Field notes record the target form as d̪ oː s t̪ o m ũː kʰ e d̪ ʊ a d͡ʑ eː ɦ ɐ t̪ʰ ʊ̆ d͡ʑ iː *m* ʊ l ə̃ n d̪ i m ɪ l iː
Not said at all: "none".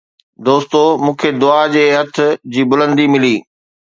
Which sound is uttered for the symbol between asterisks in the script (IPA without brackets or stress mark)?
b